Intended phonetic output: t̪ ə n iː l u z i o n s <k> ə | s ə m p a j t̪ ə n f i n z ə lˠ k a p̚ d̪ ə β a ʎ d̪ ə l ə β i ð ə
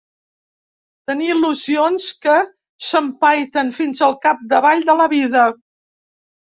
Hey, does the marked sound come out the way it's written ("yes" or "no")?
yes